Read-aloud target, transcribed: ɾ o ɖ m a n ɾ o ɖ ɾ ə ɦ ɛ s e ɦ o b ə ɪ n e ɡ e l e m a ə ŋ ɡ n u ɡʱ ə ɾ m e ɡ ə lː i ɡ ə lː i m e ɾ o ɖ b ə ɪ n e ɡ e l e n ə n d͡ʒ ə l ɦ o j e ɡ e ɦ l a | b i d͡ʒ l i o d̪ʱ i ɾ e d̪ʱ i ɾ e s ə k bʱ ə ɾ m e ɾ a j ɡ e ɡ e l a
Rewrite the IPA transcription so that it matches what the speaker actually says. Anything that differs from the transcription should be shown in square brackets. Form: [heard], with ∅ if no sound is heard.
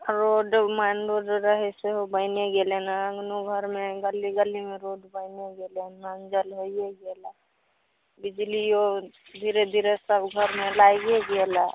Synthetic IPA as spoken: ɾ o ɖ m a n ɾ o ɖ ɾ ə ɦ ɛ s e ɦ o b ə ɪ n e ɡ e l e [n] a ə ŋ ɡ n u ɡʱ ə ɾ m e ɡ ə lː i ɡ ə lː i m e ɾ o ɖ b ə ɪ n e ɡ e l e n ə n d͡ʒ ə l ɦ o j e ɡ e [∅] l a | b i d͡ʒ l i o d̪ʱ i ɾ e d̪ʱ i ɾ e s ə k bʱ ə ɾ m e [l] a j ɡ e ɡ e l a